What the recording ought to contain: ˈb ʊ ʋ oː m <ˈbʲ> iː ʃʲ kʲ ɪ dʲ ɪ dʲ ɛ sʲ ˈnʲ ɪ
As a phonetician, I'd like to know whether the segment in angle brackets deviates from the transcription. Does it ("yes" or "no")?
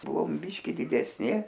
no